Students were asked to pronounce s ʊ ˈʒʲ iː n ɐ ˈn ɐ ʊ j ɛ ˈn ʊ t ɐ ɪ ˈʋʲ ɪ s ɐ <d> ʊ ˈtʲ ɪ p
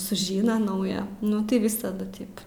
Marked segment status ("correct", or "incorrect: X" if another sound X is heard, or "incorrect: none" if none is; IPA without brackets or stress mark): correct